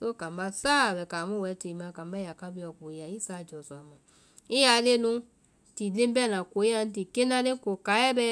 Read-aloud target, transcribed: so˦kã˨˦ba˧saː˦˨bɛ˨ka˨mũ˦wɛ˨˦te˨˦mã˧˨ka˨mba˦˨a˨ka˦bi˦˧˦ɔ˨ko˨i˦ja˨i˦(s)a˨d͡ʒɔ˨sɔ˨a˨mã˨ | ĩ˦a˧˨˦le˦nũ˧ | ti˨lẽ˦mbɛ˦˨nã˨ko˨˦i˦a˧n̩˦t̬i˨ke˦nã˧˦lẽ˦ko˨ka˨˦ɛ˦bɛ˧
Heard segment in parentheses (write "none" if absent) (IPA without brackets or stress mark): s